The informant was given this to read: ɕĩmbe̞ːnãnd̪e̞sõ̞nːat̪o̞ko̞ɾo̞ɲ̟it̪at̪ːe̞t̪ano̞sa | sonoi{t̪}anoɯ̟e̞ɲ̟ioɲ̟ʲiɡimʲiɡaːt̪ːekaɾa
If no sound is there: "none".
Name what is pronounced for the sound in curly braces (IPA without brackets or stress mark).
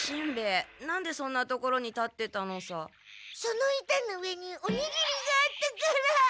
t̪